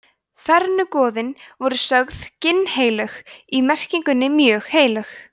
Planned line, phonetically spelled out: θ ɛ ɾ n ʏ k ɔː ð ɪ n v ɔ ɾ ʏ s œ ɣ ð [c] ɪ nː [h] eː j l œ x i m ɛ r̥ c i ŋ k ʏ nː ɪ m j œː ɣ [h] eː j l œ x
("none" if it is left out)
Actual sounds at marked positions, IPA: c, h, h

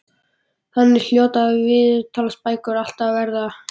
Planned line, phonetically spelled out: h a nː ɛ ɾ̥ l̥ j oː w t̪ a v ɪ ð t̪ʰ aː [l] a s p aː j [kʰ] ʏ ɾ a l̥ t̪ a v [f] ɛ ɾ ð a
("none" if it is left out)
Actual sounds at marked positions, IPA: l, k, v

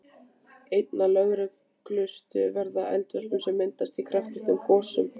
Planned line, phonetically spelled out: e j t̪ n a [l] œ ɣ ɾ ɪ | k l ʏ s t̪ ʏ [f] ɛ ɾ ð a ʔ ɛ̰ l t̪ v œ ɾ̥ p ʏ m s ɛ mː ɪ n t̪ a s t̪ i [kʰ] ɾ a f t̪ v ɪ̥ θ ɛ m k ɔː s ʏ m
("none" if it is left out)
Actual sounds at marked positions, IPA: l, v, kʰ

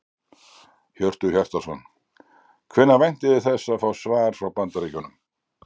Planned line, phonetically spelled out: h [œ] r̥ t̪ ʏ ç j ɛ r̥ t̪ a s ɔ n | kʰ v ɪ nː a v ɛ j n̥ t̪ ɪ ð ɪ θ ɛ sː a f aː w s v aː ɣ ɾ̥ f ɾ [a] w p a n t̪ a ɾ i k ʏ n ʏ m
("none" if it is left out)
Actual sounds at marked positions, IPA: œ, a

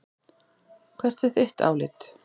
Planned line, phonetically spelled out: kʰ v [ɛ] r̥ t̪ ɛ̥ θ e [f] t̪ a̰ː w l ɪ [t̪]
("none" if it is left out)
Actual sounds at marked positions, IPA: ɛ, h, t̪

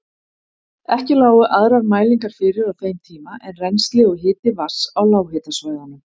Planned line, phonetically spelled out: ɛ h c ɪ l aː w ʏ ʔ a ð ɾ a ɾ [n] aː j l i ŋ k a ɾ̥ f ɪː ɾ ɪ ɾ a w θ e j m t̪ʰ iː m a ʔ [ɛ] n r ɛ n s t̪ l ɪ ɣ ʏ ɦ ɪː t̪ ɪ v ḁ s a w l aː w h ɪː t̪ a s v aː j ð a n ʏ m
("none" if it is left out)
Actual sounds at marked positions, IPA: m, ɛ

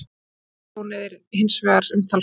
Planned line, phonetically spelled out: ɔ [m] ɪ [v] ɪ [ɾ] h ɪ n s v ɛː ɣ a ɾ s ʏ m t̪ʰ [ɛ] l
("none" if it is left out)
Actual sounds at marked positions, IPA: n, ð, ɾ, a

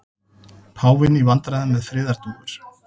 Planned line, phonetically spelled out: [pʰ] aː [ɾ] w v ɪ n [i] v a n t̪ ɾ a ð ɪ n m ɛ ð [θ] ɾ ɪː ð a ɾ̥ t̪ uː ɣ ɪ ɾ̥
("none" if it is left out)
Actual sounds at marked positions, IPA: pʰ, none, i, f

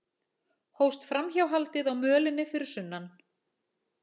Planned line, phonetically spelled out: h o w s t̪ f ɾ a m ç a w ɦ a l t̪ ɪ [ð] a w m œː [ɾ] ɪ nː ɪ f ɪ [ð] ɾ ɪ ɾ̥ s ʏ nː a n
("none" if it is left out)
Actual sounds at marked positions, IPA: ð, l, none

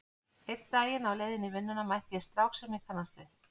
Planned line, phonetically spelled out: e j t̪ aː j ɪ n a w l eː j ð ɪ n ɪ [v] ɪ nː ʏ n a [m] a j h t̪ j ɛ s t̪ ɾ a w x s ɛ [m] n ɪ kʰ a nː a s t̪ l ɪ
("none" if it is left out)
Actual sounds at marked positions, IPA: v, m, m

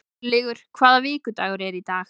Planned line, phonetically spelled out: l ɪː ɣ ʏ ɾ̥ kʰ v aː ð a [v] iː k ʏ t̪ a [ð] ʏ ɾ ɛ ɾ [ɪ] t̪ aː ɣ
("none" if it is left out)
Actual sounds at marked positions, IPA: v, ɣ, i

